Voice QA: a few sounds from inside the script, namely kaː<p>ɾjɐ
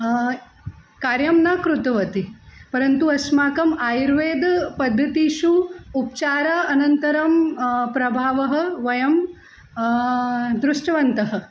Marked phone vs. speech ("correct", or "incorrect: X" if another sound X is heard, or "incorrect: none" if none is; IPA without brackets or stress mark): incorrect: none